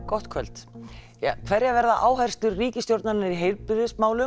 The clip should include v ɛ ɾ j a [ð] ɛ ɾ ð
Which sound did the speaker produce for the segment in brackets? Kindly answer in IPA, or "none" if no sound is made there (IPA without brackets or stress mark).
v